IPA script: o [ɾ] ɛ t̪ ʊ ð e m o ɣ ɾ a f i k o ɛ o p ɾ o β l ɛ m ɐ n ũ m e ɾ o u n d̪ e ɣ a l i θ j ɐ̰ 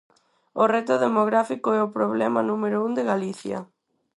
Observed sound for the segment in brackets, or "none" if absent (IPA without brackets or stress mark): r